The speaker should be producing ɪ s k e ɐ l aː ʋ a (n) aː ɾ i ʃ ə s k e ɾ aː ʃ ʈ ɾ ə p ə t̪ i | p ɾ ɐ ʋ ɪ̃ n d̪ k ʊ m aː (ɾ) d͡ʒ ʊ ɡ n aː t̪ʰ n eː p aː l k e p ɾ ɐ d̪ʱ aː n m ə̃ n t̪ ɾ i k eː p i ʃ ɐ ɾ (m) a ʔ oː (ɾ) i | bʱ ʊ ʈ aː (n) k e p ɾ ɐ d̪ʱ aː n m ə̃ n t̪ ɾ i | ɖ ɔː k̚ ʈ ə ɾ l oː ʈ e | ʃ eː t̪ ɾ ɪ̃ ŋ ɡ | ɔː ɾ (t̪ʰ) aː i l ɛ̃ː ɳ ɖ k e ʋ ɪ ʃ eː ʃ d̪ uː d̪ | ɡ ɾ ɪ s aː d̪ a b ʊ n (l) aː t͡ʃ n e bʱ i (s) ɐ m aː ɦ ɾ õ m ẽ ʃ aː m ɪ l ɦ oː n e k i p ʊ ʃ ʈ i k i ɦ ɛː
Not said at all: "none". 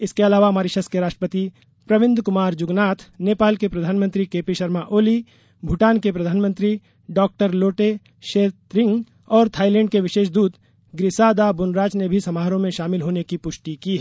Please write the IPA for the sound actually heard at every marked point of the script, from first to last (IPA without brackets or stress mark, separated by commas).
m, ɾ, m, l, n, t̪ʰ, ɾ, s